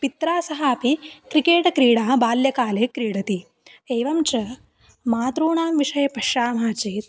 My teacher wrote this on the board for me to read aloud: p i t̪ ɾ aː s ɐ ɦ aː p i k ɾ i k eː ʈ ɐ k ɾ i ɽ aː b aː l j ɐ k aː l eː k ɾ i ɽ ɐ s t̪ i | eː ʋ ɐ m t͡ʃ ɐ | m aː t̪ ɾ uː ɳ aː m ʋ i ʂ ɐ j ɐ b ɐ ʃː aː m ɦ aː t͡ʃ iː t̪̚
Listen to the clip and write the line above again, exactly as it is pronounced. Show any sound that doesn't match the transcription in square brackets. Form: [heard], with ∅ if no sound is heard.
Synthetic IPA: p i t̪ ɾ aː s ɐ ɦ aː p i k ɾ i k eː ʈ ɐ k ɾ [iː] ɽ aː b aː l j ɐ k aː l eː k ɾ [iː] ɽ ɐ [∅] t̪ i | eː ʋ ɐ m t͡ʃ ɐ | m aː t̪ ɾ uː ɳ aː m ʋ i ʂ ɐ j ɐ [p] ɐ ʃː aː m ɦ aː t͡ʃ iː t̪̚